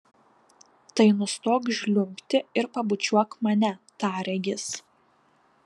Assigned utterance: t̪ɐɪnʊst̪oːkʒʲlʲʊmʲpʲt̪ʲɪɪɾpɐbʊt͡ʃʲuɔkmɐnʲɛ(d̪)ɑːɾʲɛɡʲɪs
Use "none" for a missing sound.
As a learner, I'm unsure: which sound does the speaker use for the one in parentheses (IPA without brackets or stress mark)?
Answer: t̪